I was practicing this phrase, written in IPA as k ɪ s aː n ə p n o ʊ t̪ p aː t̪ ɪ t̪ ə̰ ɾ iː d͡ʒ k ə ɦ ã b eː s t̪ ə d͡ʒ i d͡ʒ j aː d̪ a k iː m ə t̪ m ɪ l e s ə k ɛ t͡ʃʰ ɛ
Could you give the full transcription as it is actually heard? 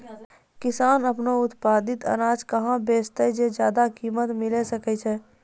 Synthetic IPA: k ɪ s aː n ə p n o ʊ t̪ p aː d̪ ɪ t̪ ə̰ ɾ aː d͡ʒ k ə ɦ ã b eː s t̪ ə d͡ʒ e d͡ʒ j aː d̪ a k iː m ə t̪ m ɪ l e s ə k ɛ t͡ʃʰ ɛ